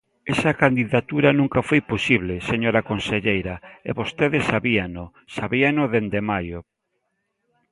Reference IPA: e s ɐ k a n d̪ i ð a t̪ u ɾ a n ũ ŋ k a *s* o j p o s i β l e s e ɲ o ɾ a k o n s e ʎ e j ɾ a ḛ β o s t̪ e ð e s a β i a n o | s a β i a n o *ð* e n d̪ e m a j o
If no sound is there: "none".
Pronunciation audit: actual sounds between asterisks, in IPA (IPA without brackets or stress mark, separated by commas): f, ð